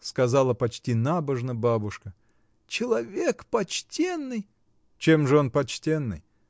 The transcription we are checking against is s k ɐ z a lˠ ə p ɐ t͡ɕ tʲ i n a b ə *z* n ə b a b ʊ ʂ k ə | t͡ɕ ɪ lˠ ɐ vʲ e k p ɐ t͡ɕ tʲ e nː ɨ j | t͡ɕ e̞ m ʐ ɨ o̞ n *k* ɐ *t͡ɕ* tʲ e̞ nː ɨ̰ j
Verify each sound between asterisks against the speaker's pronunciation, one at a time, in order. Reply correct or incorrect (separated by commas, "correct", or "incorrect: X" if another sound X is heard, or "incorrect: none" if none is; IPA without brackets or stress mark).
incorrect: ʐ, incorrect: p, correct